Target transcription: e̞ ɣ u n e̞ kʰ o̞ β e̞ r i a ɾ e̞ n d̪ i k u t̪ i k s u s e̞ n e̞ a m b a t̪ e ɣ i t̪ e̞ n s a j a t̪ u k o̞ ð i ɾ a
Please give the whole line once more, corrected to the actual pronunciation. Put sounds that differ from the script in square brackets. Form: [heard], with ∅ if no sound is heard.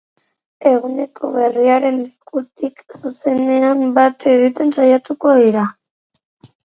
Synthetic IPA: e̞ ɣ u n e̞ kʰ o̞ β e̞ r i a ɾ e̞ n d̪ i k u t̪ i k s u s e̞ n e̞ a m b a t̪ e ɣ i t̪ e̞ n s a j a t̪ u k o̞ ð i ɾ a